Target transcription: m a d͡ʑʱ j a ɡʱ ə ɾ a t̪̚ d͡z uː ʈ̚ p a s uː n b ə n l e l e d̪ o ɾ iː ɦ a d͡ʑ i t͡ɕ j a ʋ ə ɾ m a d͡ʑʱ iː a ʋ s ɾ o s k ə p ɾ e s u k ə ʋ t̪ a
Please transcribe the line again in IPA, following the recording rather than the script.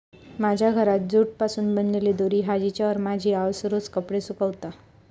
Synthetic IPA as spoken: m a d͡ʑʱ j a ɡʱ ə ɾ a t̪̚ d͡z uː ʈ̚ p a s uː n b ə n l e l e d̪ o ɾ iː ɦ a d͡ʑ i t͡ɕ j a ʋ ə ɾ m a d͡ʑʱ iː a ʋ s ɾ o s k ə p ɽ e s u k ə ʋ t̪ a